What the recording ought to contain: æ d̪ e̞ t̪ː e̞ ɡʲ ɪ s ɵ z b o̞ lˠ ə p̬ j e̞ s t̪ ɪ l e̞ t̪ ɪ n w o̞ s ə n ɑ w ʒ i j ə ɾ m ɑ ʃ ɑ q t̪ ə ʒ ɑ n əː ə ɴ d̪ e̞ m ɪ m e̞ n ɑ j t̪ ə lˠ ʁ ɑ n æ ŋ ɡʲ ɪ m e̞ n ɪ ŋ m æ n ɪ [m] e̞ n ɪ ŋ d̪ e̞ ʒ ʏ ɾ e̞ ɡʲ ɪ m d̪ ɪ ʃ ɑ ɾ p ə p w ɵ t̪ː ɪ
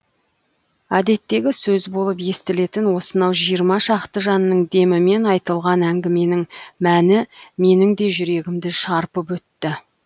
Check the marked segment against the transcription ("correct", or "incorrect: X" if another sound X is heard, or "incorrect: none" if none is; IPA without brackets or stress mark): correct